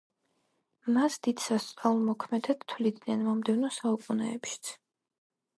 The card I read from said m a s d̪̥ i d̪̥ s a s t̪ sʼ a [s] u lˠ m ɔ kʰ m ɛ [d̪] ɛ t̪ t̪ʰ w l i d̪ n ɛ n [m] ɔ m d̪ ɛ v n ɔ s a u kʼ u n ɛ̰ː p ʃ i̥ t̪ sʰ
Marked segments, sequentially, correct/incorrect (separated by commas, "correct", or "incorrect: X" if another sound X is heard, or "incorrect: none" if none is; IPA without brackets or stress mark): incorrect: none, correct, correct